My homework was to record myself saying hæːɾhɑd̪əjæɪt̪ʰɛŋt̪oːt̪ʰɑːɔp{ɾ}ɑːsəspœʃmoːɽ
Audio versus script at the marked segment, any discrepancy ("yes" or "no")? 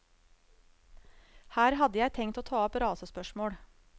no